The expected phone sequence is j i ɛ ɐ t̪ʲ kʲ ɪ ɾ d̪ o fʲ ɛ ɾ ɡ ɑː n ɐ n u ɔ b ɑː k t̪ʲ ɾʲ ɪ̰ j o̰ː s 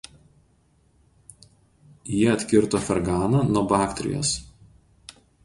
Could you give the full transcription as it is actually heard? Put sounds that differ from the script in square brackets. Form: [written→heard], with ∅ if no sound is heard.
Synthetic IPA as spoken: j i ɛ ɐ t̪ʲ kʲ ɪ ɾ [d̪→t̪] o fʲ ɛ ɾ ɡ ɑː n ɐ n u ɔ b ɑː k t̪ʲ ɾʲ ɪ̰ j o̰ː s

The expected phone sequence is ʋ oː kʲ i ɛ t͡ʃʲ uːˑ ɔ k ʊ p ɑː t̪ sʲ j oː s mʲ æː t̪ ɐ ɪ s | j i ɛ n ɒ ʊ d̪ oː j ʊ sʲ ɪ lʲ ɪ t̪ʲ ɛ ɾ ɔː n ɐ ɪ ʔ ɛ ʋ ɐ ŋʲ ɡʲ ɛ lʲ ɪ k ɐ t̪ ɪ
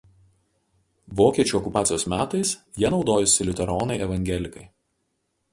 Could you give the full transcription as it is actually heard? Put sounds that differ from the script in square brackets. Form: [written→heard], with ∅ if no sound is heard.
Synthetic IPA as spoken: ʋ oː kʲ i ɛ t͡ʃʲ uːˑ ɔ k ʊ p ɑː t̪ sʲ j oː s mʲ æː t̪ ɐ ɪ s | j i ɛ n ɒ ʊ d̪ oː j ʊ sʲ ɪ lʲ ɪ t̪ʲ ɛ ɾ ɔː n ɐ ɪ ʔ ɛ ʋ ɐ ŋʲ ɡʲ ɛ lʲ ɪ k ɐ [t̪→∅] ɪ

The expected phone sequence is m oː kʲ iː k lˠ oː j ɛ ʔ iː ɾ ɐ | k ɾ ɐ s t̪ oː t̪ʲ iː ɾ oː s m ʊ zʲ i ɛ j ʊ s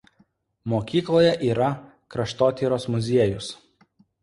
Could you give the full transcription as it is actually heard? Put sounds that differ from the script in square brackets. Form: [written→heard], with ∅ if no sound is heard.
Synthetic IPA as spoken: m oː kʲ iː k lˠ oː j ɛ ʔ iː ɾ ɐ | k ɾ ɐ [s→ʃ] t̪ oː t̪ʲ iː ɾ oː s m ʊ zʲ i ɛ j ʊ s

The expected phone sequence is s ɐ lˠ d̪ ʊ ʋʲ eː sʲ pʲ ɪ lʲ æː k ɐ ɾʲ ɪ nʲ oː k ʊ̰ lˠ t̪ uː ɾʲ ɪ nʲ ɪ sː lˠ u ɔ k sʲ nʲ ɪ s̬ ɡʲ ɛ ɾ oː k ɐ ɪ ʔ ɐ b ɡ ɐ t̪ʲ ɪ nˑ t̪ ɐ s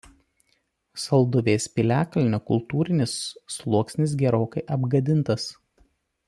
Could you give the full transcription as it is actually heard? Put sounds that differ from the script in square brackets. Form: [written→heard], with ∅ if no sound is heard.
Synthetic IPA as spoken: s ɐ lˠ d̪ ʊ ʋʲ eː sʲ pʲ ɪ lʲ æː k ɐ [ɾʲ→lʲ] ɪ nʲ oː k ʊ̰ lˠ t̪ uː ɾʲ ɪ nʲ ɪ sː lˠ u ɔ k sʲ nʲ ɪ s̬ ɡʲ ɛ ɾ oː k ɐ ɪ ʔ ɐ b ɡ ɐ [t̪ʲ→d̪ʲ] ɪ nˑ t̪ ɐ s

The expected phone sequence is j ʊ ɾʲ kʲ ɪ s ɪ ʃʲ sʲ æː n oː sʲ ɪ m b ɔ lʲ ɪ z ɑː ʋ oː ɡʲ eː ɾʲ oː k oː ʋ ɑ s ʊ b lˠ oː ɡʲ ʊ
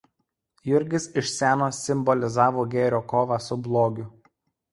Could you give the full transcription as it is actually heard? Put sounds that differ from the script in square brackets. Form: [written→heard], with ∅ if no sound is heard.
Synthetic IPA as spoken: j ʊ ɾʲ [kʲ→ɡʲ] ɪ s ɪ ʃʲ sʲ æː n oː sʲ ɪ m b ɔ lʲ ɪ z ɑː ʋ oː ɡʲ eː ɾʲ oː k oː ʋ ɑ s ʊ b lˠ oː ɡʲ ʊ

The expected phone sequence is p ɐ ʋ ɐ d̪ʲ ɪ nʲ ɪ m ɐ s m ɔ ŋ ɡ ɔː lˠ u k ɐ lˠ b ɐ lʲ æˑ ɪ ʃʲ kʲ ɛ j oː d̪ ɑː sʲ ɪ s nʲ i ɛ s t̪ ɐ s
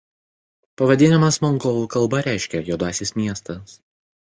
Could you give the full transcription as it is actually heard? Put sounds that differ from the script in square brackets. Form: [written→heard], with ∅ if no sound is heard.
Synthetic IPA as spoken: p ɐ ʋ ɐ d̪ʲ ɪ nʲ ɪ m ɐ s m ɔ ŋ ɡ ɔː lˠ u k ɐ lˠ b ɐ [lʲ→ɾʲ] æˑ ɪ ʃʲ kʲ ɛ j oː d̪ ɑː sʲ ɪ s [nʲ→mʲ] i ɛ s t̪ ɐ s

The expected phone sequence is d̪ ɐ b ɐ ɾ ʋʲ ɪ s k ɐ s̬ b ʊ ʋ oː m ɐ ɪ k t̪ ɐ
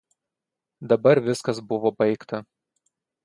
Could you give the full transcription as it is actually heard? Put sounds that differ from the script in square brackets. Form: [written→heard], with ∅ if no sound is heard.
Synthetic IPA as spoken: d̪ ɐ b ɐ ɾ ʋʲ ɪ s k ɐ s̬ b ʊ ʋ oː [m→b] ɐ ɪ k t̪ ɐ

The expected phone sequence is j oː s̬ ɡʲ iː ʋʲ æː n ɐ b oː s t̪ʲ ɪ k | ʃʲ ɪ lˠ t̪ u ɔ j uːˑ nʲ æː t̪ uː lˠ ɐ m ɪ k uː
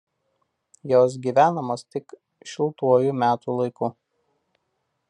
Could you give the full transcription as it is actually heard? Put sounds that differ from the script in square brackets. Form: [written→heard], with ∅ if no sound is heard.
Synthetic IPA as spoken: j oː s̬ ɡʲ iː ʋʲ æː n ɐ [b→m] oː s t̪ʲ ɪ k | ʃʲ ɪ lˠ t̪ u ɔ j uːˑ [nʲ→mʲ] æː t̪ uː lˠ ɐ [m→∅] ɪ k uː

